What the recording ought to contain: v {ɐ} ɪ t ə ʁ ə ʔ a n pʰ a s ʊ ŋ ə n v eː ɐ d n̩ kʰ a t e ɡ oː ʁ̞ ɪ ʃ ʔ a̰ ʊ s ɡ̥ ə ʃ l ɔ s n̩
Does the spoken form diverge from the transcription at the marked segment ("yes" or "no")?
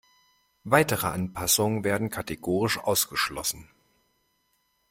yes